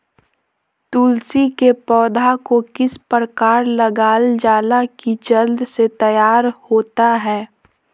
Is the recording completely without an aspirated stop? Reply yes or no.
yes